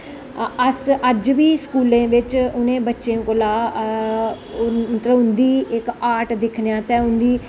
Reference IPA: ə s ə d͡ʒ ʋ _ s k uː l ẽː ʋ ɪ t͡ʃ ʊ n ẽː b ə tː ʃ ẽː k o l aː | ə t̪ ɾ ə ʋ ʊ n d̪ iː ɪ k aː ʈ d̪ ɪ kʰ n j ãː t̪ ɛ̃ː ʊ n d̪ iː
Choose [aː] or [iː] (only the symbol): iː